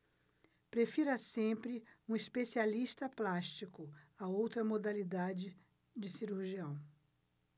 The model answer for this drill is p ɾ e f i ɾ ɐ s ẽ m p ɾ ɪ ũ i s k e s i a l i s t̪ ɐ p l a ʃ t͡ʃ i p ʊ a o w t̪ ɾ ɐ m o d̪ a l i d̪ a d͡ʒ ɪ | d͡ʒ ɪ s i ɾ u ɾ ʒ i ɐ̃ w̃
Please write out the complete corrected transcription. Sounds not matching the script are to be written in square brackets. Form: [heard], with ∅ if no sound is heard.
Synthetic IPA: p ɾ e f i ɾ ɐ s ẽ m p ɾ ɪ ũ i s [p] e s i a l i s t̪ ɐ p l a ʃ t͡ʃ i [k] ʊ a o w t̪ ɾ ɐ m o d̪ a l i d̪ a d͡ʒ ɪ | d͡ʒ ɪ s i ɾ u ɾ ʒ i ɐ̃ w̃